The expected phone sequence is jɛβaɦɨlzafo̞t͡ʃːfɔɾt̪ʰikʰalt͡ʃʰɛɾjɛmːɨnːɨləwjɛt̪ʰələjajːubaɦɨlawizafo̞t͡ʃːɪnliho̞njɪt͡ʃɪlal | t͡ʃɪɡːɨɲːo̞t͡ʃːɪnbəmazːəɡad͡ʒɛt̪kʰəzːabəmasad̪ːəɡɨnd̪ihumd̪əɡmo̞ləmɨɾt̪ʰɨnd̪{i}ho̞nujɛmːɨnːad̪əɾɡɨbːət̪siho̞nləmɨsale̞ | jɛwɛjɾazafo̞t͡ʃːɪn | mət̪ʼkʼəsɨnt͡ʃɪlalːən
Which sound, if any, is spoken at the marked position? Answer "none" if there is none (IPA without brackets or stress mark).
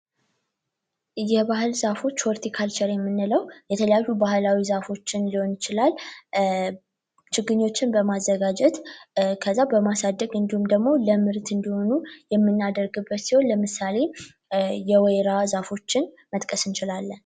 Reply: i